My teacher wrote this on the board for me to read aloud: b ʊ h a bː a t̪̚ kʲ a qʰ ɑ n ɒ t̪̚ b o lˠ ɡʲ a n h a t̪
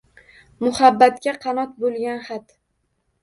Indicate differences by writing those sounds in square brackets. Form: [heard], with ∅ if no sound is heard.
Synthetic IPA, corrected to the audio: [m] ʊ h a bː a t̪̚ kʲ a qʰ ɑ n ɒ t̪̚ b o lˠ ɡʲ a n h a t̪